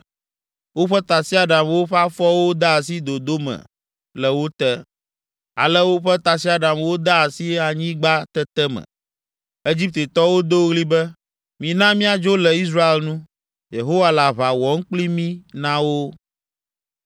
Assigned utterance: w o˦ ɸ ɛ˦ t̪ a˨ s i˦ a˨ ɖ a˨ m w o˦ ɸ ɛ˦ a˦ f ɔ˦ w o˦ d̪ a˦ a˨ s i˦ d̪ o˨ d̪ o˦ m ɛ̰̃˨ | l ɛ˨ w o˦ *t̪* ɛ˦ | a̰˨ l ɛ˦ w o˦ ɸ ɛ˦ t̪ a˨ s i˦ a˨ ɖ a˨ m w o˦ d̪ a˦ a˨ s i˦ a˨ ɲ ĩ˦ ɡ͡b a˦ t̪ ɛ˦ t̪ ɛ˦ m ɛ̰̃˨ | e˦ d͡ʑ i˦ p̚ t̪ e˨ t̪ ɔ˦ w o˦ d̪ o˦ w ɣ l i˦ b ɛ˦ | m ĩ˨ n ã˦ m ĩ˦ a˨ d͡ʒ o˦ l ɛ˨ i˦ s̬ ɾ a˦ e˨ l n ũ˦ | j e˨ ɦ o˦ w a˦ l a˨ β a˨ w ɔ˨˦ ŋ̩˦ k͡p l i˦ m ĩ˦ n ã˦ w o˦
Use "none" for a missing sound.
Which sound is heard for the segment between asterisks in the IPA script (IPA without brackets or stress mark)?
t̪